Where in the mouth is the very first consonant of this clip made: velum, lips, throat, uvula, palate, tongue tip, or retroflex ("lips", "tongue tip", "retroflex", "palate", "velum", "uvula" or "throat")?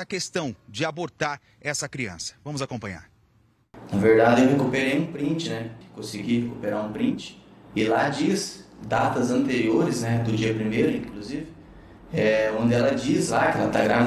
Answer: velum